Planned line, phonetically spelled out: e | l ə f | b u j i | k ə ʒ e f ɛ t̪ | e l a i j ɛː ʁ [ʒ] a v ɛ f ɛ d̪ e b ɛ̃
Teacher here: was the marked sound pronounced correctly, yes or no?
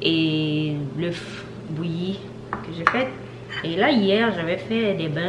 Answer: yes